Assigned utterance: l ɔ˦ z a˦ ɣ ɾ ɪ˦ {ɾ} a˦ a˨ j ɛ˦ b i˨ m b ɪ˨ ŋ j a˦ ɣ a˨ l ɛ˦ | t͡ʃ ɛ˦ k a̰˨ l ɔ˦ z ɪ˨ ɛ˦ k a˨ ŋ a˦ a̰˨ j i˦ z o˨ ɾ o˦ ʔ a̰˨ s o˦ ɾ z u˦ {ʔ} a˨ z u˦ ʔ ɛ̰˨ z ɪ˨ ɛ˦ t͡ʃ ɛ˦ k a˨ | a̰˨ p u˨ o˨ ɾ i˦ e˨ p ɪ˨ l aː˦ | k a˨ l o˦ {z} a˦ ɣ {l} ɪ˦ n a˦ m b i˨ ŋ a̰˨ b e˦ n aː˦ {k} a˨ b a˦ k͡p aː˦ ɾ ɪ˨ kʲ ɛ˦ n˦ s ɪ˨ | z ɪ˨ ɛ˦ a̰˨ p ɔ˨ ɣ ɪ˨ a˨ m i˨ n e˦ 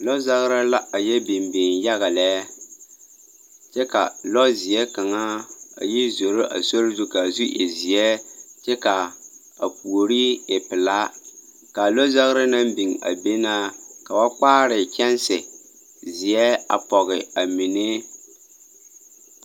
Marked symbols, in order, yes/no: no, no, yes, no, yes

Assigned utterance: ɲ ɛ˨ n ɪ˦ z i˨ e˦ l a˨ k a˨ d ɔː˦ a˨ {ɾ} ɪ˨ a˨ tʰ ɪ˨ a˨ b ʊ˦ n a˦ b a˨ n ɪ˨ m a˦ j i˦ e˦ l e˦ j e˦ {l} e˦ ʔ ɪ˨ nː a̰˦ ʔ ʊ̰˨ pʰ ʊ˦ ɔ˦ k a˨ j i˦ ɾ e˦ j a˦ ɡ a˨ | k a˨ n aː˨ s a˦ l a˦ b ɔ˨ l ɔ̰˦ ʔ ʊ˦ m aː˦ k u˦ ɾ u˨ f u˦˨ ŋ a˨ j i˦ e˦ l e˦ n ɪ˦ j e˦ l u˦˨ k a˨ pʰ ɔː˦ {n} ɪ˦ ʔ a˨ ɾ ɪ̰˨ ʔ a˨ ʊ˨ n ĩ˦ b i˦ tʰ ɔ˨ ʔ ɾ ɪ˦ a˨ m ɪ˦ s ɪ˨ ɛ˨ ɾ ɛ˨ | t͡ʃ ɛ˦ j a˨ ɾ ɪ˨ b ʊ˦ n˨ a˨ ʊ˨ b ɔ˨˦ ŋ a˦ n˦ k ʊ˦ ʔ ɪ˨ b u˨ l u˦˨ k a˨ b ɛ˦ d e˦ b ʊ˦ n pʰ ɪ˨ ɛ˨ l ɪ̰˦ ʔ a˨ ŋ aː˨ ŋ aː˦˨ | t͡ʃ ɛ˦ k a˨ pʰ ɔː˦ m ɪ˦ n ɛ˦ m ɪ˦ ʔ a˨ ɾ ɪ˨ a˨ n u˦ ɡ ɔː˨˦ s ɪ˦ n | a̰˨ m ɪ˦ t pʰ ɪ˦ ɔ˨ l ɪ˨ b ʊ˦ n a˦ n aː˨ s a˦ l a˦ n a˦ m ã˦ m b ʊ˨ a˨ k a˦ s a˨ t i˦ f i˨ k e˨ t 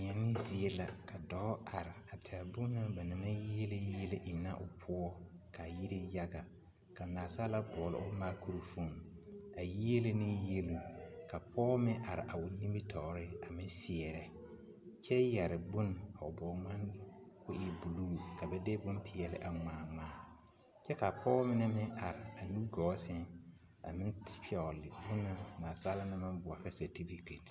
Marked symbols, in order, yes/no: yes, yes, no

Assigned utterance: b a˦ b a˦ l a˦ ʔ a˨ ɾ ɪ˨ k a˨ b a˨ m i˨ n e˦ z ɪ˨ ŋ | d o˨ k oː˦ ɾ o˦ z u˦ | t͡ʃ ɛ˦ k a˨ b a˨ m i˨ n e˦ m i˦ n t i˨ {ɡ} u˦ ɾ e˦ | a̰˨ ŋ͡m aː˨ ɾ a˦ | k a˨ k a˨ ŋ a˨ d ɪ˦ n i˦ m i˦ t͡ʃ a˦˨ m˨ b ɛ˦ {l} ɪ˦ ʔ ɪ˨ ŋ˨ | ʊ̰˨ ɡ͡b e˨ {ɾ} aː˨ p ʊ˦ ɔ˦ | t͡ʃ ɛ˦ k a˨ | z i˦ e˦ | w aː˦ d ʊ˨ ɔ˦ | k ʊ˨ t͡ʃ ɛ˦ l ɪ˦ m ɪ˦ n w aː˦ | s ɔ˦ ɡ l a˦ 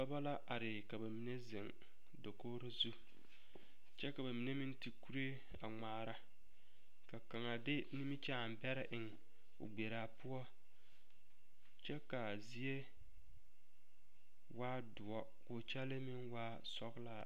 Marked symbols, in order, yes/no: no, no, yes

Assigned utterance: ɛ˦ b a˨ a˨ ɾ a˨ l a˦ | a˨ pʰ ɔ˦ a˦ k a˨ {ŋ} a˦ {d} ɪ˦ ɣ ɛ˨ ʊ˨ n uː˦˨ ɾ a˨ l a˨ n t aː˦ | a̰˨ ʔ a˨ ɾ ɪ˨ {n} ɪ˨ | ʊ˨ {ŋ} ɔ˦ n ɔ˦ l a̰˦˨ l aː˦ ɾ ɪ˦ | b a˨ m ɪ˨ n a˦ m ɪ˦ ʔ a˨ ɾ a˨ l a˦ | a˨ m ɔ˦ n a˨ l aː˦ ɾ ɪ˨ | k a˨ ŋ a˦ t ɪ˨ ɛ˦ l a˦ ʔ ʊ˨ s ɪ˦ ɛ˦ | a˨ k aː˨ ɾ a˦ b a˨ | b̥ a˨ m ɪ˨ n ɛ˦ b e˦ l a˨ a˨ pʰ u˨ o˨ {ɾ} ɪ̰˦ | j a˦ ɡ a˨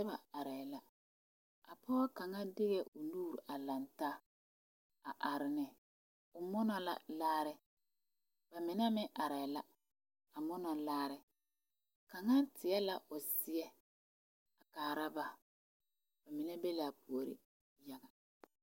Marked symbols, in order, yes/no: yes, yes, yes, no, yes

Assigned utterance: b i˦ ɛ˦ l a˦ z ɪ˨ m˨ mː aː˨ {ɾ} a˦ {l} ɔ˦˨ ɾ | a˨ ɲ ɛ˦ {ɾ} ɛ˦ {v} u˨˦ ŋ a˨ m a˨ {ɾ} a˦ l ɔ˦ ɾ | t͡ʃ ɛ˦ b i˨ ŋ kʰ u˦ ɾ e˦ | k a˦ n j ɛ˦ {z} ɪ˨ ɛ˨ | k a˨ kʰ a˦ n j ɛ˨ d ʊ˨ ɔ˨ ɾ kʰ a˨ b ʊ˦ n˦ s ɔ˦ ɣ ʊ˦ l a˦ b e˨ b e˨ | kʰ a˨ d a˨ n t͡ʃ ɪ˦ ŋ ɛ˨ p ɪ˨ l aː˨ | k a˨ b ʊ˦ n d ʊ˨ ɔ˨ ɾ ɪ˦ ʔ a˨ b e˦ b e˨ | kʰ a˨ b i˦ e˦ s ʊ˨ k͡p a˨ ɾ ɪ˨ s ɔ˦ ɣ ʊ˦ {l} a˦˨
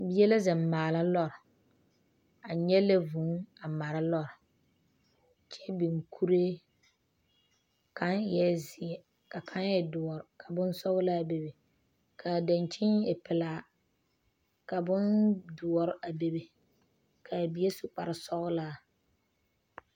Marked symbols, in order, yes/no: no, yes, no, yes, yes, yes, yes

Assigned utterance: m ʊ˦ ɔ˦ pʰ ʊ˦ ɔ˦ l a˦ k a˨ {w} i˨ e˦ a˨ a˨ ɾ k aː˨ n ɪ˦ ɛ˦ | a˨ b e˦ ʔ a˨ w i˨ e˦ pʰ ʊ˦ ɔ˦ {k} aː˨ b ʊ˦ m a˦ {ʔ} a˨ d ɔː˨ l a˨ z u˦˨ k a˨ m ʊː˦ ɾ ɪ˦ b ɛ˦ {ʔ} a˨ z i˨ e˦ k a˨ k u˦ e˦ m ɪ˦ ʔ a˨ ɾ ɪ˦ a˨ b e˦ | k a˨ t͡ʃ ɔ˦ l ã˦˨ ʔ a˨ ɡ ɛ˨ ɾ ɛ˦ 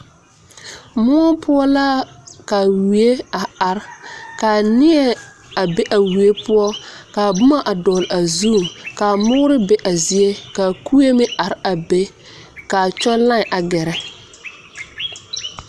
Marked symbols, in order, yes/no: yes, yes, yes, yes

